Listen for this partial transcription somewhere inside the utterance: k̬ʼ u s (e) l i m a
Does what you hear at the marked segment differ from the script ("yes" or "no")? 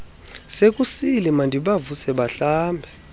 yes